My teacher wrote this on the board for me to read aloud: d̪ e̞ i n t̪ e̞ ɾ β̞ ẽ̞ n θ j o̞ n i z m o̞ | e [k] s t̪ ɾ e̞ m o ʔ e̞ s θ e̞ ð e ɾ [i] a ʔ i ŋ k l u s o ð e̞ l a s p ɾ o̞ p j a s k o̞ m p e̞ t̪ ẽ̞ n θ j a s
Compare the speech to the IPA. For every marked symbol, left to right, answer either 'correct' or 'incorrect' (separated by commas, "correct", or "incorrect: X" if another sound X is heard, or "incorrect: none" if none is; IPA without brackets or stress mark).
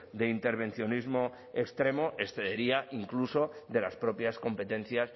correct, correct